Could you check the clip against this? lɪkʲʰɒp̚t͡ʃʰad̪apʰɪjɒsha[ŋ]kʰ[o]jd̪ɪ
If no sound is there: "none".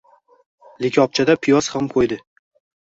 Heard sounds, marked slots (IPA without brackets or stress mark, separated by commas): m, o